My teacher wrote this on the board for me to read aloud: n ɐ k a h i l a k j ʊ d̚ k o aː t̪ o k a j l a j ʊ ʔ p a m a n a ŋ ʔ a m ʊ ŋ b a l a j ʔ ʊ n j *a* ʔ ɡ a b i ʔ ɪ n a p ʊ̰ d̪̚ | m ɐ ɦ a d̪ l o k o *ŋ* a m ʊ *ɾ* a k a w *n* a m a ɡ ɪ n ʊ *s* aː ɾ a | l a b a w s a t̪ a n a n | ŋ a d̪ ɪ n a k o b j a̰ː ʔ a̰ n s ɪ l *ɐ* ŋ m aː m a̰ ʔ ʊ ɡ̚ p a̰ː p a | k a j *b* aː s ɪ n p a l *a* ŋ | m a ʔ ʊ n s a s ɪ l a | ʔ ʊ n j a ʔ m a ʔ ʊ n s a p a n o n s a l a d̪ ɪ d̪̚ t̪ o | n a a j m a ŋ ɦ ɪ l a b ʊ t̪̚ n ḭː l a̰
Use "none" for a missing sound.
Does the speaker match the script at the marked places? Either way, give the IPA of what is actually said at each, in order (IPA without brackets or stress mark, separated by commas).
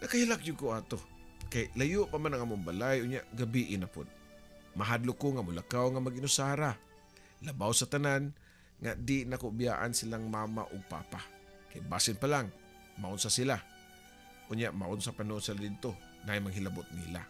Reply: a, ŋ, l, ŋ, s, a, b, a